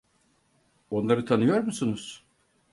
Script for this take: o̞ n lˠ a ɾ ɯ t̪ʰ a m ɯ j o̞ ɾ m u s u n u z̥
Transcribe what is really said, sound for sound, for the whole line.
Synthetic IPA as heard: o̞ n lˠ a ɾ ɯ t̪ʰ a n ɯ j o̞ ɾ m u s u n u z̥